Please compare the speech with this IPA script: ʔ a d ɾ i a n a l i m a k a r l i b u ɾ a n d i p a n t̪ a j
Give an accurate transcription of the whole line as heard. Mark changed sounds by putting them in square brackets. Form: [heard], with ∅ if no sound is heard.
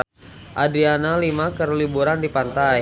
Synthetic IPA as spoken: ʔ a d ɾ i a n a l i m a k [ə] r l i b u ɾ a n d i p a n t̪ a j